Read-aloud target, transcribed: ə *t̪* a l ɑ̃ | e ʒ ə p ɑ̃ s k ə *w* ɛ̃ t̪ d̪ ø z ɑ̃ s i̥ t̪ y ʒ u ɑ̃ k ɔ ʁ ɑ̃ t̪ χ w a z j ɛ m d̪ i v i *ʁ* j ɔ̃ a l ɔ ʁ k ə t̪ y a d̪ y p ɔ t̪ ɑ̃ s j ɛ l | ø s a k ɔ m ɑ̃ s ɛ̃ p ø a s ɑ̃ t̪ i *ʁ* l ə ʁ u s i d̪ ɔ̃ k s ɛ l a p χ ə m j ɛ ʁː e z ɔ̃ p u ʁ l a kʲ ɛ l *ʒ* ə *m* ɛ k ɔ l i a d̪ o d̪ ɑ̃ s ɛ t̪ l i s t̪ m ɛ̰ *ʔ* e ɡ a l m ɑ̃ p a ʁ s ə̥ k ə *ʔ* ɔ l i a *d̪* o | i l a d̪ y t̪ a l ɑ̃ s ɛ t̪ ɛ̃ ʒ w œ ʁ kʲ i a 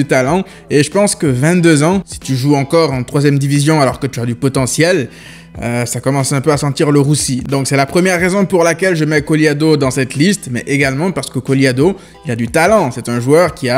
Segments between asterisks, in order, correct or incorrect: correct, incorrect: v, incorrect: z, correct, correct, correct, correct, incorrect: k, correct

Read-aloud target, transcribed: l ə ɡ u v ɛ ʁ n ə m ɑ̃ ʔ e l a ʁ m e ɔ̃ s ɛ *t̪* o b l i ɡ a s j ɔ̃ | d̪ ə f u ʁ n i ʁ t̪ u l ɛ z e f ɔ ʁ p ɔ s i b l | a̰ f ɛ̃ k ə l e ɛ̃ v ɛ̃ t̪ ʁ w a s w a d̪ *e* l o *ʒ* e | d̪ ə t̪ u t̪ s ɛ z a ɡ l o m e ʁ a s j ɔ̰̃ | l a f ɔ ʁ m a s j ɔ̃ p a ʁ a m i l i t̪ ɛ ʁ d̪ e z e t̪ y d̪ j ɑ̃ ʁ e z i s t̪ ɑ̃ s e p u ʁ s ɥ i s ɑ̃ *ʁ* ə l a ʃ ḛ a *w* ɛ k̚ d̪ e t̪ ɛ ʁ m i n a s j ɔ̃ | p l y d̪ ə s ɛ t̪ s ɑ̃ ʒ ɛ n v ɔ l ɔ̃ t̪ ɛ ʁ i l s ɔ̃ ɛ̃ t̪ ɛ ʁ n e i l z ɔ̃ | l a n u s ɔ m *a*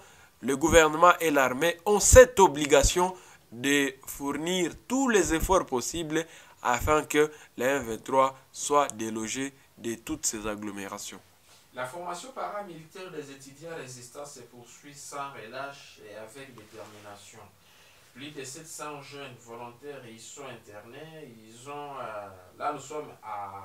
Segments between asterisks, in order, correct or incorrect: correct, correct, correct, correct, incorrect: v, correct

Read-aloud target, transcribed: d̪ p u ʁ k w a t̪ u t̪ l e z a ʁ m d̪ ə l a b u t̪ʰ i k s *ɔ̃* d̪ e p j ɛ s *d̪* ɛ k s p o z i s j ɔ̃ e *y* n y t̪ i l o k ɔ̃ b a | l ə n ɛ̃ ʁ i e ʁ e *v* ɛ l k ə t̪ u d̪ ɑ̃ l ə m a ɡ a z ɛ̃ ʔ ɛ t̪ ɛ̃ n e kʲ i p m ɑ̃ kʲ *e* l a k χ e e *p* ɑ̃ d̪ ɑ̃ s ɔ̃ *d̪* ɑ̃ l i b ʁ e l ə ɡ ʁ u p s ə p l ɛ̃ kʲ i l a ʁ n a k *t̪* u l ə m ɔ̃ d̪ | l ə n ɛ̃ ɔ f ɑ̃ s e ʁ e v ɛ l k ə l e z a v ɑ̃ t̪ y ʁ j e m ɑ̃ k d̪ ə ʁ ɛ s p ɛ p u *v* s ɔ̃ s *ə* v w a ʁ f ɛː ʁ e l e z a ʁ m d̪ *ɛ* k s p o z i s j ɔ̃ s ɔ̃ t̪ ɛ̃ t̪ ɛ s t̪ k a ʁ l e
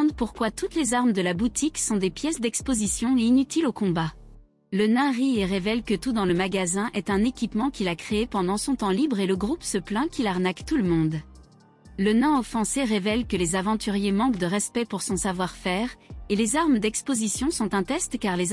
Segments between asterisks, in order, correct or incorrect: correct, correct, incorrect: i, correct, incorrect: i, correct, incorrect: t̪, correct, incorrect: ʁ, incorrect: a, correct

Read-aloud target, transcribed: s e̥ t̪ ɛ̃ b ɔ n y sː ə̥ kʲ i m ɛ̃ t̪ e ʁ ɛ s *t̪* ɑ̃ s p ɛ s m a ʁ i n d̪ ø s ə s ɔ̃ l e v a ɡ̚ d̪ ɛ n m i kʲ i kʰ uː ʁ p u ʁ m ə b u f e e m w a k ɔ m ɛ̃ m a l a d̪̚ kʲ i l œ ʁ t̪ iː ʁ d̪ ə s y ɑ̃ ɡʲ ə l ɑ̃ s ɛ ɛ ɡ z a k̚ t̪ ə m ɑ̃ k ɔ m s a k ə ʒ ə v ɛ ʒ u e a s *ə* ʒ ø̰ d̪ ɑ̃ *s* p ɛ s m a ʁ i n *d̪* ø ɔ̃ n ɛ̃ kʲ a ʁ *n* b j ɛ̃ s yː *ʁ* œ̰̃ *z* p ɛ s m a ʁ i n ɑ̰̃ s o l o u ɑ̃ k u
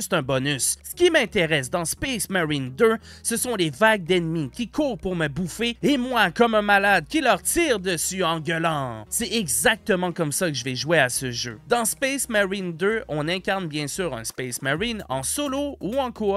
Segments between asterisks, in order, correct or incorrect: incorrect: d̪, correct, correct, correct, correct, correct, incorrect: s

